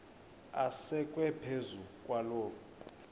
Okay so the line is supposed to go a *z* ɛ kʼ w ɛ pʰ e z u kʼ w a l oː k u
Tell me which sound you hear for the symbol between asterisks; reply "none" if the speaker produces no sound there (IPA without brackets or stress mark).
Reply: s